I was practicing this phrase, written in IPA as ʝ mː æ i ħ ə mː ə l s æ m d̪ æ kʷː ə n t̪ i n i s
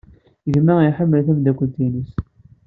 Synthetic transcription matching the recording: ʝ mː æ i ħ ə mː ə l θ æ m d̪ æ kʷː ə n t̪ i n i s